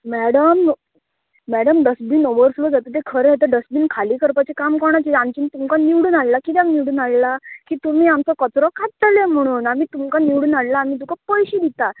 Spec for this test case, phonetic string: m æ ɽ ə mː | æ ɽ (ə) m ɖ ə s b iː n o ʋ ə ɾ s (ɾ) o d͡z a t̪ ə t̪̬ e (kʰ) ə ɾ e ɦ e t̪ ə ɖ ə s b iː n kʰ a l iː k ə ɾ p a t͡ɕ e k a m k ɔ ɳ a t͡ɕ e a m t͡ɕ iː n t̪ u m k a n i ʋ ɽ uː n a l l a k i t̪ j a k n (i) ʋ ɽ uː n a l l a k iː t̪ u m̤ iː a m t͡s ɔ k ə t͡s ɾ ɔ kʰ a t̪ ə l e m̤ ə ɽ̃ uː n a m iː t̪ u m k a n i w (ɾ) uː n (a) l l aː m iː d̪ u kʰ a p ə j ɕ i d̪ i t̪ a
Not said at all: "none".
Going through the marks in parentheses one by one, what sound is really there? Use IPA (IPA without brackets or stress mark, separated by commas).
ə, l, kʰ, i, ɽ, a